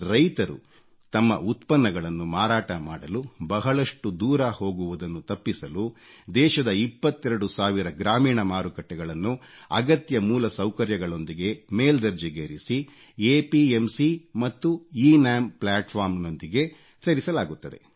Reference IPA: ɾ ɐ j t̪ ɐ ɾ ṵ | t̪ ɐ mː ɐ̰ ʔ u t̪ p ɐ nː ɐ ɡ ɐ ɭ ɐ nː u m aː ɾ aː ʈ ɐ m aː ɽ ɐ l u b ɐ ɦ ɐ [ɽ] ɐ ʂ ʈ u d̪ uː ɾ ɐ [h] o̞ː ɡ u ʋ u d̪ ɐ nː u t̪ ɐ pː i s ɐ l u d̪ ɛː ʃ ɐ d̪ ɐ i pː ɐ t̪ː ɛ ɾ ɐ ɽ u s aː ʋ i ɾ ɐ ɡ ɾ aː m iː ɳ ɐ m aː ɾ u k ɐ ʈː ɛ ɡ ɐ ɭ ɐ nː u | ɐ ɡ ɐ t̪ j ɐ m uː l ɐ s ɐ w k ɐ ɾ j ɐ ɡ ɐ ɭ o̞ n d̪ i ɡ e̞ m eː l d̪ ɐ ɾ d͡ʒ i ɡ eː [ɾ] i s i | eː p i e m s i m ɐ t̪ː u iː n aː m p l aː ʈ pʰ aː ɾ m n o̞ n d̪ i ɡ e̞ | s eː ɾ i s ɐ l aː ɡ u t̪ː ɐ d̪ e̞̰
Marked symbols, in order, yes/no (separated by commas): no, yes, yes